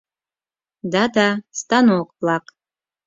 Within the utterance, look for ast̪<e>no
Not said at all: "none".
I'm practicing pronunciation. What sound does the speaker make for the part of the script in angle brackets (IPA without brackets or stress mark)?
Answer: a